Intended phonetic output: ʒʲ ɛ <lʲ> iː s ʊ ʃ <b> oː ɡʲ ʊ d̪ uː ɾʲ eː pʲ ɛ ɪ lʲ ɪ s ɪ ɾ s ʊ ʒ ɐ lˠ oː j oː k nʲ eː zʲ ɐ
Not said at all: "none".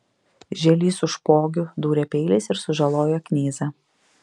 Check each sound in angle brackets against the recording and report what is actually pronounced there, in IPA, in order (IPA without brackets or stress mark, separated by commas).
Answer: lʲ, p